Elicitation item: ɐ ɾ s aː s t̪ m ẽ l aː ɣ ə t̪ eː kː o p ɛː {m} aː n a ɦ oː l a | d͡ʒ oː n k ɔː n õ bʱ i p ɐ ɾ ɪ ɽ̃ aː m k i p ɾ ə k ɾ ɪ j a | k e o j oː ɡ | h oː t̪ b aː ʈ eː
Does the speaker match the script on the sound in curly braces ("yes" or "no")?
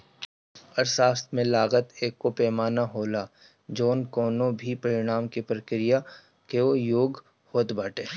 yes